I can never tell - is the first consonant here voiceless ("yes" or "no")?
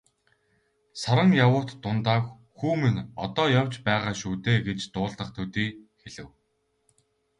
yes